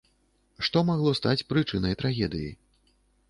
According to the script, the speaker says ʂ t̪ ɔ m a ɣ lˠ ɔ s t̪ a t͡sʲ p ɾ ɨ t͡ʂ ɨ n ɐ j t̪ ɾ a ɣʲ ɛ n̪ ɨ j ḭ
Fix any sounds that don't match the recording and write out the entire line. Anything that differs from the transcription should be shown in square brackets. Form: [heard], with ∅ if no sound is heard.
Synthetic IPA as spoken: ʂ t̪ ɔ m a ɣ lˠ ɔ s t̪ a t͡sʲ p ɾ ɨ t͡ʂ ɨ n ɐ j t̪ ɾ a ɣʲ ɛ [d̪] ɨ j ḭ